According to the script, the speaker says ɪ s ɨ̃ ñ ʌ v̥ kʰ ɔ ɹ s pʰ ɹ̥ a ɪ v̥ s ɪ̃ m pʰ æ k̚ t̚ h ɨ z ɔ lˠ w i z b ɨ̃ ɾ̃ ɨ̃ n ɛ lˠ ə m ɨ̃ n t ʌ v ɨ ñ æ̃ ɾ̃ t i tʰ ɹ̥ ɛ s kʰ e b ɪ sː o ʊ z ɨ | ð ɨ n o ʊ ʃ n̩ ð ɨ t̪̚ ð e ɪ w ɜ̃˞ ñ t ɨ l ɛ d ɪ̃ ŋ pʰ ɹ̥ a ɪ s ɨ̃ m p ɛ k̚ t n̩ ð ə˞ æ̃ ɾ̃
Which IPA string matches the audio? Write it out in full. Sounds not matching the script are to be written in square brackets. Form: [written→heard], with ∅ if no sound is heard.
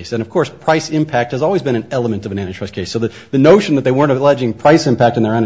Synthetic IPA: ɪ s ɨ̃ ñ ʌ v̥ kʰ ɔ ɹ s pʰ ɹ̥ a ɪ [v̥→∅] s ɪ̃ m pʰ æ k̚ t̚ h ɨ z ɔ lˠ w i z b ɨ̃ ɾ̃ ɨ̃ n ɛ lˠ ə m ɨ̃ n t ʌ v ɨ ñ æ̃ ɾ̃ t i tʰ ɹ̥ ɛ s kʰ e [b→∅] ɪ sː o ʊ [z→ð] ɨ | ð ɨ n o ʊ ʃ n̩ ð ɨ t̪̚ ð e ɪ w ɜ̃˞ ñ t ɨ l ɛ [d→d͡ʒ] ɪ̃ ŋ pʰ ɹ̥ a ɪ s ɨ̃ m p [ɛ→æ] k̚ t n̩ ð ə˞ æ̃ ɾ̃